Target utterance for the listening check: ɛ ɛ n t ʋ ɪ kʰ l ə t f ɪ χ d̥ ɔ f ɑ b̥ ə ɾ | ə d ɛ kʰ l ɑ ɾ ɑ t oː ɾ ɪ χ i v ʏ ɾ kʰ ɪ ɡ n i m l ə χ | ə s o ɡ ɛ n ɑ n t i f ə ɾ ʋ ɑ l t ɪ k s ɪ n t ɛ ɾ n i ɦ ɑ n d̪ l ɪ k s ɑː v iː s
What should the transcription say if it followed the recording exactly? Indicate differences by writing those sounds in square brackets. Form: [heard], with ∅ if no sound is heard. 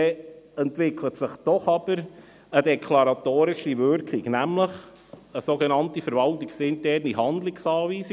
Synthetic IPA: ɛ ɛ n t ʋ ɪ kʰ l ə t [s] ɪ χ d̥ ɔ [χ] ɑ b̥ ə ɾ | ə d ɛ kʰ l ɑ ɾ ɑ t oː ɾ ɪ [ʃ] i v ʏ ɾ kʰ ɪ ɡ n [æ] m l ə χ | ə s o ɡ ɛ n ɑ n t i f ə ɾ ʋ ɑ l t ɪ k s ɪ n t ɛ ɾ n i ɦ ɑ n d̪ l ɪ k s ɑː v iː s